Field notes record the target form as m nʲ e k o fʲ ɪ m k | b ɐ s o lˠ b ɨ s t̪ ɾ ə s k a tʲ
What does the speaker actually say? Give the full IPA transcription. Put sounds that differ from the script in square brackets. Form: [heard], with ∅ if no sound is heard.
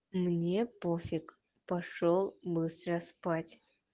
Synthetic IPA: m nʲ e [p] o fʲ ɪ [∅] k | [p] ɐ [ʂ] o lˠ b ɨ s t̪ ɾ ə s [p] a tʲ